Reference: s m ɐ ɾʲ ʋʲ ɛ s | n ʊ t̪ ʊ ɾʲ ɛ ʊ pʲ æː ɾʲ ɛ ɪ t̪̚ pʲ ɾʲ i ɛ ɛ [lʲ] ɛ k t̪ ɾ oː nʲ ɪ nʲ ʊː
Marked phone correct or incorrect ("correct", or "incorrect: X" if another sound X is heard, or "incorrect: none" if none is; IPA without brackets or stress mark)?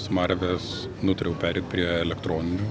correct